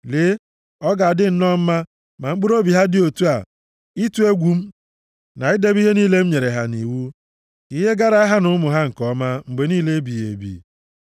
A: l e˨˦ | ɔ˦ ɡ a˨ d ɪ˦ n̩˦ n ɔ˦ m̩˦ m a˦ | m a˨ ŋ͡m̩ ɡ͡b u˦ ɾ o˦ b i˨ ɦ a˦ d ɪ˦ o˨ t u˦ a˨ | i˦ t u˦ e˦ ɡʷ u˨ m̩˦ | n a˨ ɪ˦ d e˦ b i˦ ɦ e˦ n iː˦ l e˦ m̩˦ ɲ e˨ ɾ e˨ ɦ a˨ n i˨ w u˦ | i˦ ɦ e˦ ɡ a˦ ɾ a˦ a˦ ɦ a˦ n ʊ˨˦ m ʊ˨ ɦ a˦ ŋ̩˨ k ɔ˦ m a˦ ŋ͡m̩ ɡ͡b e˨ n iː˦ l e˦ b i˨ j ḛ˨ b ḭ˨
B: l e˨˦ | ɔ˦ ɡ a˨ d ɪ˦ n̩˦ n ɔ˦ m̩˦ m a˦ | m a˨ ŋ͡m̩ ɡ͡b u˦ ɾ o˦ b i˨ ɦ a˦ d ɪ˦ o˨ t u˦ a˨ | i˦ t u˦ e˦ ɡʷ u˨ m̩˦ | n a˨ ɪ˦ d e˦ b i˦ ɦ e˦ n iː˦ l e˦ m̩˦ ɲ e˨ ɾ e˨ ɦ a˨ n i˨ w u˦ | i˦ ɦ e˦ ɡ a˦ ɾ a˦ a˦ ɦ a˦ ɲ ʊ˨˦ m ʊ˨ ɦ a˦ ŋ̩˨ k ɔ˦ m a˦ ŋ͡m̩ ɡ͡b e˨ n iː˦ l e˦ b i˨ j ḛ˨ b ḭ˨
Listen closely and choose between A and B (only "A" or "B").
A